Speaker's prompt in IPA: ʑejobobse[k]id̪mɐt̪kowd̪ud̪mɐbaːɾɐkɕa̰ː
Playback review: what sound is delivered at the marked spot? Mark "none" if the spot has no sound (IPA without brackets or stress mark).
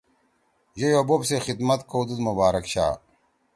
x